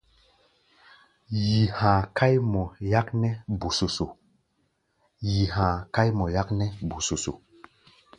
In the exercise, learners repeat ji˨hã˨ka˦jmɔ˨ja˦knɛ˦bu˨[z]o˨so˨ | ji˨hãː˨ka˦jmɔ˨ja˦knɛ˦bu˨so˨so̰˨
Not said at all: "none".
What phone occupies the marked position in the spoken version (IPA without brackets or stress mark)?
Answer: s